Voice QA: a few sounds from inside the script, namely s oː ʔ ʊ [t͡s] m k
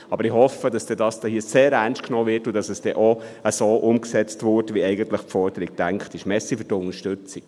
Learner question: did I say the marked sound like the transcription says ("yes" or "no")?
no